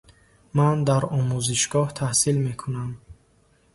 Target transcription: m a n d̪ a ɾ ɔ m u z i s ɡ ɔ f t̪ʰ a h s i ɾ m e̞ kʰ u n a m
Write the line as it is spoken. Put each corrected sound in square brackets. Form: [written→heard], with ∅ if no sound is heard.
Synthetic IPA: m a n d̪ a ɾ ɔ m u z i [s→ʃ] ɡ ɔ [f→h] t̪ʰ a h s i [ɾ→l] m e̞ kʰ u n a m